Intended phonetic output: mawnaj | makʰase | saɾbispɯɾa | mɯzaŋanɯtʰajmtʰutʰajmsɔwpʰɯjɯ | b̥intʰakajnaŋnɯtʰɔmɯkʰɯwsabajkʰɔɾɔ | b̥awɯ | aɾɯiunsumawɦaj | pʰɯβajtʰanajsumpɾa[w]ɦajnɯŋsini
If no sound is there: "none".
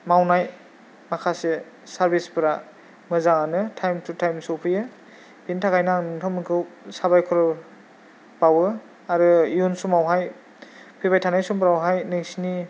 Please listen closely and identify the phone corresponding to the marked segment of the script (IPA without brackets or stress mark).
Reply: w